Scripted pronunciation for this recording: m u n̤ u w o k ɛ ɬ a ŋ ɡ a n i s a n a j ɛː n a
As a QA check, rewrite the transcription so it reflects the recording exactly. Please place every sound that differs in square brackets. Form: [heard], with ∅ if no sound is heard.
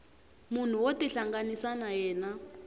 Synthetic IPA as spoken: m u n̤ u w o [t] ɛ ɬ a ŋ ɡ a n i s a n a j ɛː n a